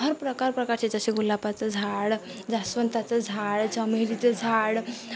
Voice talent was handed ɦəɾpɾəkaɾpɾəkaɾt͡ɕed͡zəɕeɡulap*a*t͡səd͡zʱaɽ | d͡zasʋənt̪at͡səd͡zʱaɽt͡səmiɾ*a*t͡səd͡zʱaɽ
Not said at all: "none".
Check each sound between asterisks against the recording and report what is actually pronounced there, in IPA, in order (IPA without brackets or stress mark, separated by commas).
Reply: a, i